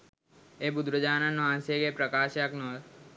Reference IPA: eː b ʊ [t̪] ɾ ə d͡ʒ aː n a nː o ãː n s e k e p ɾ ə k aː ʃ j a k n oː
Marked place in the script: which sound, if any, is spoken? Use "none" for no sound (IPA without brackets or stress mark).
d̪